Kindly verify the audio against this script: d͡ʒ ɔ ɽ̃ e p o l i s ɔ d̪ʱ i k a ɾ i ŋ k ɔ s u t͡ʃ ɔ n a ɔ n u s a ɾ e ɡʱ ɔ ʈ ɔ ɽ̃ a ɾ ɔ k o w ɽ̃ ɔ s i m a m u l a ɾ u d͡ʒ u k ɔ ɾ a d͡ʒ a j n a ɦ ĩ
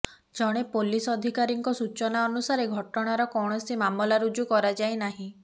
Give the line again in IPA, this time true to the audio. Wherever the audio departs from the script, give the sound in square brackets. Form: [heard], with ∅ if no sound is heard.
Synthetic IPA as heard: d͡ʒ ɔ ɽ̃ e p o l i s ɔ d̪ʱ i k a ɾ i ŋ k ɔ s u t͡ʃ ɔ n a ɔ n u s a ɾ e ɡʱ ɔ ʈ ɔ ɽ̃ a ɾ ɔ k [ɔ] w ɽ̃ ɔ s i m a m [ɔ] l a ɾ u d͡ʒ u k ɔ ɾ a d͡ʒ a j n a ɦ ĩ